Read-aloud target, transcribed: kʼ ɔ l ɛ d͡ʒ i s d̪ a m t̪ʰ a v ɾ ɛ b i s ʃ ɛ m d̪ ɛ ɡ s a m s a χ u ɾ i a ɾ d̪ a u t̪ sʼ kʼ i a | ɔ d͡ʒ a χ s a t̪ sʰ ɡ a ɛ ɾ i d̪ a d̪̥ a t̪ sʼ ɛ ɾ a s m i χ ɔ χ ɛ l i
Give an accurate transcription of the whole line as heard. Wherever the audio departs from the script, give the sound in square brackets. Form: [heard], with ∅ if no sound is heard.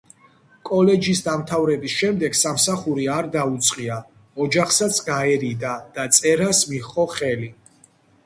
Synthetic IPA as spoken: kʼ ɔ l ɛ d͡ʒ i s d̪ a m t̪ʰ a v ɾ ɛ b i s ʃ ɛ m d̪ ɛ ɡ s a m s a χ u ɾ i a ɾ d̪ a u t̪ sʼ [qʼ] i a | ɔ d͡ʒ a χ s a t̪ sʰ ɡ a ɛ ɾ i d̪ a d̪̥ a t̪ sʼ ɛ ɾ a s m i χ ɔ χ ɛ l i